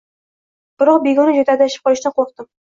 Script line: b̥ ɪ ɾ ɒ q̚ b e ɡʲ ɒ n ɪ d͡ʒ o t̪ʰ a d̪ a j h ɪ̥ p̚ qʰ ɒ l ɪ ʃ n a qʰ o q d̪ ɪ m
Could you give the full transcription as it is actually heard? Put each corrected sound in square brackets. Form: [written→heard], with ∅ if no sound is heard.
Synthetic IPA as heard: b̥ ɪ ɾ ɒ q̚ b e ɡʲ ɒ n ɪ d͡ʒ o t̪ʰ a d̪ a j [h→ʃ] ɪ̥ p̚ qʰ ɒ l ɪ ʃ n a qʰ o q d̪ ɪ m

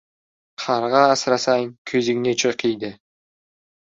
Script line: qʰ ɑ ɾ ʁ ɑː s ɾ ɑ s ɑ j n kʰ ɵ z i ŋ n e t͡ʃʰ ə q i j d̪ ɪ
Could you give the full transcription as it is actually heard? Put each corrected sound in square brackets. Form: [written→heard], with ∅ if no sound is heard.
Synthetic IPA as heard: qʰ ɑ ɾ ʁ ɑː s ɾ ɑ s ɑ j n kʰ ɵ z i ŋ n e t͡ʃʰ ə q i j d̪ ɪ

